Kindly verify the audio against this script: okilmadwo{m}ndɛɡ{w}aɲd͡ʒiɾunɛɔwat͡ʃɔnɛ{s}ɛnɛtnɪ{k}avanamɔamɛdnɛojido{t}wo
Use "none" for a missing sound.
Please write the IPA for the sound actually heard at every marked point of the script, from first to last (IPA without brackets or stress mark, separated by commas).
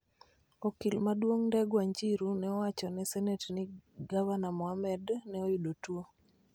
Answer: ŋ, w, s, ɡ, t